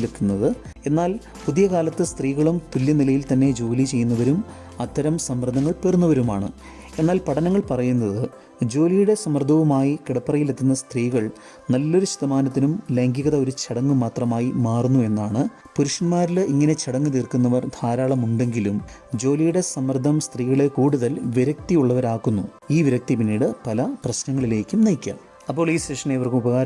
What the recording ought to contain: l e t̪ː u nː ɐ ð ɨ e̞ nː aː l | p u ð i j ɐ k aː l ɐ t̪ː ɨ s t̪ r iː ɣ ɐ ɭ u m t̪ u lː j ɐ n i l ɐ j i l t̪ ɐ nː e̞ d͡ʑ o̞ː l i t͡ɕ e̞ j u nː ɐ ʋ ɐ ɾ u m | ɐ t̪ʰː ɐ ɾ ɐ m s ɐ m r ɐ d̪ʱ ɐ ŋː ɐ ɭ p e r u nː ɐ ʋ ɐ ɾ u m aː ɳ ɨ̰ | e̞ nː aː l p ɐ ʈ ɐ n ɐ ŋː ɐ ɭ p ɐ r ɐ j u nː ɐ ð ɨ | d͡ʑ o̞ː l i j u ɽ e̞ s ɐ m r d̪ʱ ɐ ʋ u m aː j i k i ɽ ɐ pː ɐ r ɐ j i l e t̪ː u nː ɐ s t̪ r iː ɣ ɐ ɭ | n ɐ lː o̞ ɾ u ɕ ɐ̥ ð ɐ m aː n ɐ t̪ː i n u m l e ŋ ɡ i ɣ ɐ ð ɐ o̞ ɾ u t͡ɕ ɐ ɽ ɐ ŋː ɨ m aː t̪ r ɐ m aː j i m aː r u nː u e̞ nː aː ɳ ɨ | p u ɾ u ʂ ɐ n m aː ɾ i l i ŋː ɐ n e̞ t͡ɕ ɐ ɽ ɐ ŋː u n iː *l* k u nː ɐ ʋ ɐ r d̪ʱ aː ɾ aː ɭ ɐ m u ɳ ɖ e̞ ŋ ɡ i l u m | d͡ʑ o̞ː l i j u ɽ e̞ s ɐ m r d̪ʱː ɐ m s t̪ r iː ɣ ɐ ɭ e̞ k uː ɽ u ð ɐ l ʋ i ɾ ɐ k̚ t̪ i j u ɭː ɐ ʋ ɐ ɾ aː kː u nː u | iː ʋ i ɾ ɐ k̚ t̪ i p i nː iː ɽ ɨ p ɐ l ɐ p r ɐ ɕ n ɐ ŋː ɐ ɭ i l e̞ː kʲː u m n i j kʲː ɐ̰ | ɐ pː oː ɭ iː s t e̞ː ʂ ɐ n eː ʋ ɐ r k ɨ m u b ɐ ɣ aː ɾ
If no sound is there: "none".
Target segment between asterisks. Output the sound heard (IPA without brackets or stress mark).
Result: r